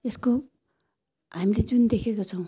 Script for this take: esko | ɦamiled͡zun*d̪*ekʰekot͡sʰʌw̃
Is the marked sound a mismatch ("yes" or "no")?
no